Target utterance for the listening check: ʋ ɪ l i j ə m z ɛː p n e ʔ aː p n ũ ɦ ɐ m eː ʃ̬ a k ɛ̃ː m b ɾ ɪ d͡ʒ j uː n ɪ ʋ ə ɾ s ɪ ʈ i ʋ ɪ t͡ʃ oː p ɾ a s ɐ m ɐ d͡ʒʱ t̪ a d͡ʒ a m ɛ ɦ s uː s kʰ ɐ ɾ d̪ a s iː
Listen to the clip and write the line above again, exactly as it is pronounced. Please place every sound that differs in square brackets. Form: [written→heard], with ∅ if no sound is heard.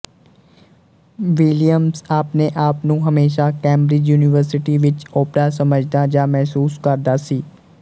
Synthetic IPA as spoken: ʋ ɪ l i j ə m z [ɛː→aː] p n e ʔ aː p n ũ ɦ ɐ m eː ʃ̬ a k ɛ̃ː m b ɾ ɪ d͡ʒ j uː n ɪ ʋ ə ɾ s ɪ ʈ i ʋ ɪ t͡ʃ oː p ɾ a s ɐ m [ɐ→ə] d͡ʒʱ [t̪→d̪] a d͡ʒ a m ɛ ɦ s uː s [kʰ→k] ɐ ɾ d̪ a s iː